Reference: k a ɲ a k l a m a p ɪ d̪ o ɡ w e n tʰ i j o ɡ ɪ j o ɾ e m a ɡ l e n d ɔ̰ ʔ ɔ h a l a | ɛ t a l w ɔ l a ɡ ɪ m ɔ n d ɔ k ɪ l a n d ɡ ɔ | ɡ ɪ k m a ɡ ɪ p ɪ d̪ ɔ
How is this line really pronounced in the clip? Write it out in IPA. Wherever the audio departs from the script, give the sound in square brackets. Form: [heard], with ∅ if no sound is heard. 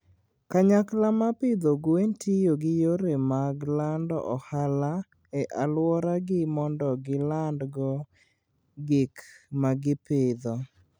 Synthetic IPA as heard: k a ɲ a k l a m a p ɪ d̪ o ɡ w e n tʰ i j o ɡ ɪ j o ɾ e m a ɡ l [a] n d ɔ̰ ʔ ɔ h a l a | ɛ [ʔ] a l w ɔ [ɾ] a ɡ ɪ m ɔ n d ɔ [ɡ] ɪ l a n d ɡ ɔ | ɡ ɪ k m a ɡ ɪ p ɪ d̪ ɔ